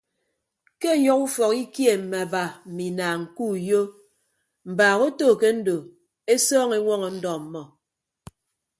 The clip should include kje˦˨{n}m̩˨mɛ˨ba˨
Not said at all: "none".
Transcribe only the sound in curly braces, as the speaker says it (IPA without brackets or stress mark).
none